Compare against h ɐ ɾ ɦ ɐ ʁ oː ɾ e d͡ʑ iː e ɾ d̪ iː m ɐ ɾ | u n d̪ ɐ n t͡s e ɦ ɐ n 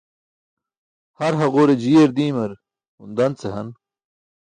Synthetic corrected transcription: h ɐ ɾ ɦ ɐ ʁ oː ɾ e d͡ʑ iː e ɾ d̪ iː m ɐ ɾ | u n d̪ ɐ n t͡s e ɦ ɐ n